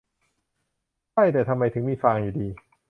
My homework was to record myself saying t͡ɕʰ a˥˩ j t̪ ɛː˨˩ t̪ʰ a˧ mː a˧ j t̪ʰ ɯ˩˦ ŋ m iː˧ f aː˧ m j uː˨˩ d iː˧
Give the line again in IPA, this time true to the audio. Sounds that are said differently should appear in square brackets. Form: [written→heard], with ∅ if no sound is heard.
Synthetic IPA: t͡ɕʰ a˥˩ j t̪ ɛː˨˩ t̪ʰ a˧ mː a˧ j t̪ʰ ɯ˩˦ ŋ m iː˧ f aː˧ [m→ŋ] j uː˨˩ d iː˧